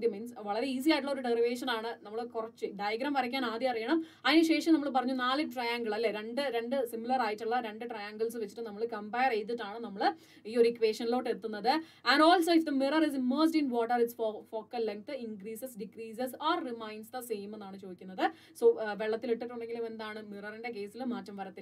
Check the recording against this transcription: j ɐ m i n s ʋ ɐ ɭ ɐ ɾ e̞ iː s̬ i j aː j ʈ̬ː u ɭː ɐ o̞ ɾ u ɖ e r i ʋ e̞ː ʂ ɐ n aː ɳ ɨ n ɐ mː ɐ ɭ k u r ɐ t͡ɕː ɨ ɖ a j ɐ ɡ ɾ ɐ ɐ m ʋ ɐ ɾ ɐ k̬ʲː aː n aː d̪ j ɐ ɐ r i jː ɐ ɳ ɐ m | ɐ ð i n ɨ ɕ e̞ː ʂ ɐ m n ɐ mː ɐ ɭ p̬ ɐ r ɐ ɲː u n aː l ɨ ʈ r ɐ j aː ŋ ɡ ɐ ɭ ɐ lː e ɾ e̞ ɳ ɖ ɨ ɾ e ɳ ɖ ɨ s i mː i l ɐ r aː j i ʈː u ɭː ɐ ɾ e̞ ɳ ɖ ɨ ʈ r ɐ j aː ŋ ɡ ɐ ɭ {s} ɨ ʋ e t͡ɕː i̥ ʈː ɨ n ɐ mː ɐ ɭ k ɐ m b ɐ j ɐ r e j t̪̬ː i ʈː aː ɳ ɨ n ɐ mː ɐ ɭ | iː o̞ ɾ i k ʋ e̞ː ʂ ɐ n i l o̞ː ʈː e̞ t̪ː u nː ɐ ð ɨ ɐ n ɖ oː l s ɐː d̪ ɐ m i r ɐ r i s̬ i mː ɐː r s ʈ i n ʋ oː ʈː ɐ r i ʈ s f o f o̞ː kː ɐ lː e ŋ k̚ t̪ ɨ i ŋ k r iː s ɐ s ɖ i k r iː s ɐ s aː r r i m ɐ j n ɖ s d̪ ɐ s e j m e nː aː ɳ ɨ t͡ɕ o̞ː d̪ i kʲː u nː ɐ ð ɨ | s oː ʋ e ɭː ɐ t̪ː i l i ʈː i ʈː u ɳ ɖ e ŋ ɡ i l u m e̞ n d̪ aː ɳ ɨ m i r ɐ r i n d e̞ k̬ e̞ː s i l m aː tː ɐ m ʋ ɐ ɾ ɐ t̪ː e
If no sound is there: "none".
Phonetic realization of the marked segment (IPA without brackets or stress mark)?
s